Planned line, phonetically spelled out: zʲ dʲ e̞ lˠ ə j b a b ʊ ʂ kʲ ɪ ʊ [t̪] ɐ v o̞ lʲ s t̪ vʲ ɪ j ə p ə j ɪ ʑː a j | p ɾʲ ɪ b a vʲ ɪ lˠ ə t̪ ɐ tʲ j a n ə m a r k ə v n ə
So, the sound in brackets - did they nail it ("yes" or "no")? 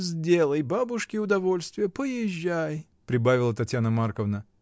no